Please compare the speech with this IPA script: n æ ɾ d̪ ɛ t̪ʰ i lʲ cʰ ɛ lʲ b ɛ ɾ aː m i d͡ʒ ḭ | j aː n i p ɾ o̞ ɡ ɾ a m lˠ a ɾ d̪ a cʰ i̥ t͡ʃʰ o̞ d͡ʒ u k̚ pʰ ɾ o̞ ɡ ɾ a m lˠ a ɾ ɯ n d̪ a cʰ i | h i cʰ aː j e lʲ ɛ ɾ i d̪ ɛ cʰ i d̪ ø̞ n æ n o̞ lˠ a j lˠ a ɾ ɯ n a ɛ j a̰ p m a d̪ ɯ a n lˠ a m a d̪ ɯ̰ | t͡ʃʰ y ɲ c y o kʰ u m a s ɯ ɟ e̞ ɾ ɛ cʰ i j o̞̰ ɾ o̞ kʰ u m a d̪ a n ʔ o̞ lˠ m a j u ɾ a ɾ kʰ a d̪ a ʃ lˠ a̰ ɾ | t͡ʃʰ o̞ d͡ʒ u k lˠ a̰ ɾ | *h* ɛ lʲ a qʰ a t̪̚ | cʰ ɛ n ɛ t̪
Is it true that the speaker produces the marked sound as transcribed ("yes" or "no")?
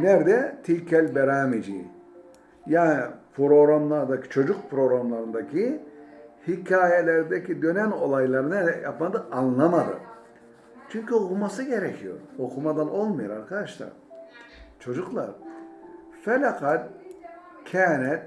no